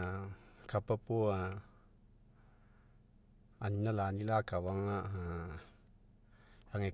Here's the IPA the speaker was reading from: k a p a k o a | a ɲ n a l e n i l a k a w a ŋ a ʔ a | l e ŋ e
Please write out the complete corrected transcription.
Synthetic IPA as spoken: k a p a p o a | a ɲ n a l a n i l a k a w a ŋ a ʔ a | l a ŋ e